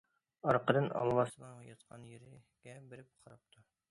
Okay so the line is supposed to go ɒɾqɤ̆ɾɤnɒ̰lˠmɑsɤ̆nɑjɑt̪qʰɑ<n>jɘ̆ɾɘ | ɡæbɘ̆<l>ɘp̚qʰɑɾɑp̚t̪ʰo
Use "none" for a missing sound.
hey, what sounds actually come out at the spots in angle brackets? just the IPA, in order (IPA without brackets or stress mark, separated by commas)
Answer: n, ɾ